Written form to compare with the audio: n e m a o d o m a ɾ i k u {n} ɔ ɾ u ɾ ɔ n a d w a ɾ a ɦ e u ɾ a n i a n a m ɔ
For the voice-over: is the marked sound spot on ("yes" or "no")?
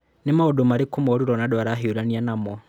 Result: no